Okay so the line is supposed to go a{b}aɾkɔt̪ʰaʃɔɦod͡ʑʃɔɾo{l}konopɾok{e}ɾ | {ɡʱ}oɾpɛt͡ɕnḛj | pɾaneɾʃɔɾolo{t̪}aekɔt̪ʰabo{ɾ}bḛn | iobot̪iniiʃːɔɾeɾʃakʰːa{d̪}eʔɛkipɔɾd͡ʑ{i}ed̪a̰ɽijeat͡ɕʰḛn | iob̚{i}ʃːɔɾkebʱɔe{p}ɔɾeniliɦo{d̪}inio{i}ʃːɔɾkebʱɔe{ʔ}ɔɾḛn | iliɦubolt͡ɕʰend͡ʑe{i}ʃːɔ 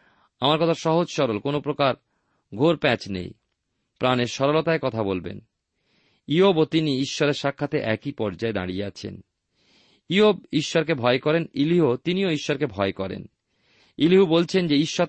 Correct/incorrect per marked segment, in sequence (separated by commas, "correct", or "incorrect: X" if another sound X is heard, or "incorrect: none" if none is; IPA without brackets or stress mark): incorrect: m, correct, incorrect: a, correct, correct, incorrect: l, incorrect: t̪, incorrect: a, correct, incorrect: k, incorrect: t̪, correct, incorrect: k, correct